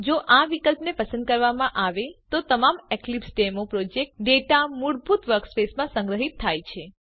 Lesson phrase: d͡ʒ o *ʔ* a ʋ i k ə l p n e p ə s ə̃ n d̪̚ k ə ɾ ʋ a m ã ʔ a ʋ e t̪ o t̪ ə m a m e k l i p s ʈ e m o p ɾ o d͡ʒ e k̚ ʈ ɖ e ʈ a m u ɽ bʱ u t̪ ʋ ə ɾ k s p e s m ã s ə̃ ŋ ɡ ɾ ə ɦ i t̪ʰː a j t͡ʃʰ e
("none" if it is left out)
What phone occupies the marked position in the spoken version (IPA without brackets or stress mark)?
ʔ